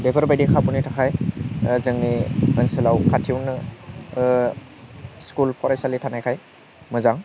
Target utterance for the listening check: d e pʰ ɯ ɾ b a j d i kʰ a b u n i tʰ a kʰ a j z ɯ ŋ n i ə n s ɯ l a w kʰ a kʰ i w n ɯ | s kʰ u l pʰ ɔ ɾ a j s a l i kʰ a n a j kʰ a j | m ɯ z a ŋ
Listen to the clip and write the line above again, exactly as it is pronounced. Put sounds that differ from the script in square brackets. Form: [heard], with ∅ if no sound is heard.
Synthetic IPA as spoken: d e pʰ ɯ ɾ b a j d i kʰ a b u n i tʰ a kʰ a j z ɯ ŋ n i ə n s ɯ l a w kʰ a [tʰ] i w n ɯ | s [k] u l pʰ ɔ ɾ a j s a l i [tʰ] a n a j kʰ a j | m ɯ z a ŋ